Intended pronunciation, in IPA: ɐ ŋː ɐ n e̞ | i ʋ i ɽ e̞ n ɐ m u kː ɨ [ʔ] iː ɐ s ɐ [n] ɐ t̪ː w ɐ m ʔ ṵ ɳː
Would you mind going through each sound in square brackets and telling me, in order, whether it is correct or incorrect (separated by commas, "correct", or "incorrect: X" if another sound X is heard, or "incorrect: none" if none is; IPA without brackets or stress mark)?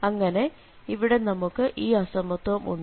correct, incorrect: m